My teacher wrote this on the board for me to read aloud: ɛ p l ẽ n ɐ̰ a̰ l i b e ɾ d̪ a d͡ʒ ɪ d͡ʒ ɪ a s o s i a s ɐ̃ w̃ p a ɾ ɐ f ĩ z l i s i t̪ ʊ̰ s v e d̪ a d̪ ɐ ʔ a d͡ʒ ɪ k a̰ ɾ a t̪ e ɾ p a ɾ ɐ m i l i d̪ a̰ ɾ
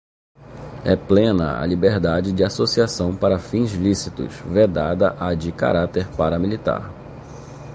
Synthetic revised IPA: ɛ p l ẽ n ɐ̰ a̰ l i b e ɾ d̪ a d͡ʒ ɪ d͡ʒ ɪ a s o s i a s ɐ̃ w̃ p a ɾ ɐ f ĩ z l i s i t̪ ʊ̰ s v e d̪ a d̪ ɐ ʔ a d͡ʒ ɪ k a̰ ɾ a t̪ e ɾ p a ɾ ɐ m i l i t̪ a̰ ɾ